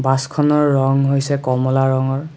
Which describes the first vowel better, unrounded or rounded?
unrounded